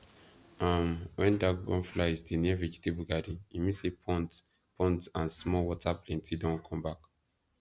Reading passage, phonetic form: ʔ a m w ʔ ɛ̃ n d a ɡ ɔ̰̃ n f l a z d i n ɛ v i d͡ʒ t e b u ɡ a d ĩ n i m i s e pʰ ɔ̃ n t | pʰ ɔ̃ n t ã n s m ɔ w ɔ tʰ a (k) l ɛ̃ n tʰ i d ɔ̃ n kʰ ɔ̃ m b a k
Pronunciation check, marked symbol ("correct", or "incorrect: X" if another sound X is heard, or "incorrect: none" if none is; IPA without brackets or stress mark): incorrect: p